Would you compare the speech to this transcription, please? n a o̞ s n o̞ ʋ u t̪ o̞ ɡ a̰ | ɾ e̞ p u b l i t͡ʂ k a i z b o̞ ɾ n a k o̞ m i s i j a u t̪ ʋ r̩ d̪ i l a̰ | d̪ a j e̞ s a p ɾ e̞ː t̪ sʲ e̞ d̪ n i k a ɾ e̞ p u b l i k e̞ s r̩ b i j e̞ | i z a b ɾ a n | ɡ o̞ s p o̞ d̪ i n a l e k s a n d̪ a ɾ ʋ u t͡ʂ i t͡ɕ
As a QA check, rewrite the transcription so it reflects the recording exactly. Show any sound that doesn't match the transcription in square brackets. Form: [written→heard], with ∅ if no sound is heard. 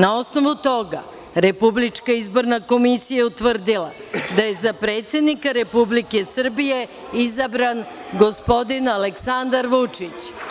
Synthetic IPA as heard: n a o̞ s n o̞ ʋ u t̪ o̞ ɡ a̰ | ɾ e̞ p u b l i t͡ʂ k a i z b o̞ ɾ n a k o̞ m i s i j a u t̪ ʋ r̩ d̪ i l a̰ | d̪ a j e̞ [s→z] a p ɾ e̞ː t̪ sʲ e̞ d̪ n i k a ɾ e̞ p u b l i k e̞ s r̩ b i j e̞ | i z a b ɾ a n | ɡ o̞ s p o̞ d̪ i n a l e k s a n d̪ a ɾ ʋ u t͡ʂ i t͡ɕ